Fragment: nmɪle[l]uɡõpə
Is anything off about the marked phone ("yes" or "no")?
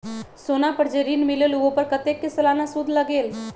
no